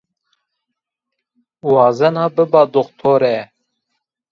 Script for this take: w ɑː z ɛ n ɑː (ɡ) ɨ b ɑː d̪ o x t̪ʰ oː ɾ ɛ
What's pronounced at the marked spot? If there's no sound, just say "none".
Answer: b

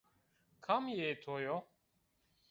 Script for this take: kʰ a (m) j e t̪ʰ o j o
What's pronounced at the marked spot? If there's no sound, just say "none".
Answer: m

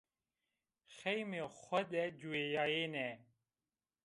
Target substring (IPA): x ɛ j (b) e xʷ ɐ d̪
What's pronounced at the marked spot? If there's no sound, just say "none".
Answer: m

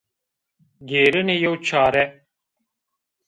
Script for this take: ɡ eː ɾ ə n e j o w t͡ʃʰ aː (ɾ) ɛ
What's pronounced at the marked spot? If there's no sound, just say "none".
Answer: ɾ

